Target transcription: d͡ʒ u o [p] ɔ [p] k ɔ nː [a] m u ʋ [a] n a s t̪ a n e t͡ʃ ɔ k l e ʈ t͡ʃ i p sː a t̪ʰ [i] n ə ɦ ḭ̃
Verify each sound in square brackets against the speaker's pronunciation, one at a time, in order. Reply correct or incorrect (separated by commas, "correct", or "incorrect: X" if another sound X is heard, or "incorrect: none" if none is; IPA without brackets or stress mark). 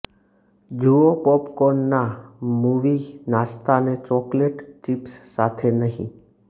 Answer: correct, correct, correct, incorrect: i, incorrect: e